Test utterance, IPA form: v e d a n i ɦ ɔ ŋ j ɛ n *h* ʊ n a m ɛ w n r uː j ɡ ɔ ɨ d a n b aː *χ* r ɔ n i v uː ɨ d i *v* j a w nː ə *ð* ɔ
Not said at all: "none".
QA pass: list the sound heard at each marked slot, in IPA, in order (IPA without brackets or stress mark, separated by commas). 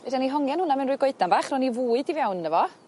h, χ, v, v